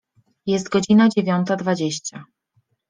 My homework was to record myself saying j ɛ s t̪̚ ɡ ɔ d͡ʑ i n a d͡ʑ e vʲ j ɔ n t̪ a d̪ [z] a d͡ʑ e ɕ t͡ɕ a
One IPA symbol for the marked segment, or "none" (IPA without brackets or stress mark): v